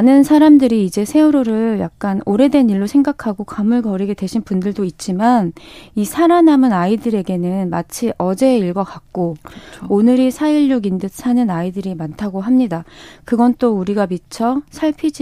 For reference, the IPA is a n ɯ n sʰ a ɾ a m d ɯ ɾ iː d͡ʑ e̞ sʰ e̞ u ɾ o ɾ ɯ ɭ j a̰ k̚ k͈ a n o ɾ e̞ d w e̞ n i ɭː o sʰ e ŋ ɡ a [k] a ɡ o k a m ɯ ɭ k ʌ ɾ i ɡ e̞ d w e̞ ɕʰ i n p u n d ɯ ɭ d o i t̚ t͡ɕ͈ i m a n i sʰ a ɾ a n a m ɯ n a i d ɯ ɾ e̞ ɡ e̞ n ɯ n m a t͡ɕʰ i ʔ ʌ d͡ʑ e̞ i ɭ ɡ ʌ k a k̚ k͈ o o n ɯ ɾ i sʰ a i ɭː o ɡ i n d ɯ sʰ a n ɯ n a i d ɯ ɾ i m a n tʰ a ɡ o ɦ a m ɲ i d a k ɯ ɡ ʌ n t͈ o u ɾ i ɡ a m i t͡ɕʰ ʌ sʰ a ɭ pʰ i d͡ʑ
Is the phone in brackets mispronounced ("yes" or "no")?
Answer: yes